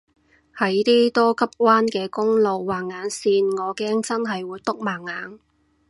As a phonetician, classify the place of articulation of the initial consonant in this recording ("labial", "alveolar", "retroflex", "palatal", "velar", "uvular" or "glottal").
glottal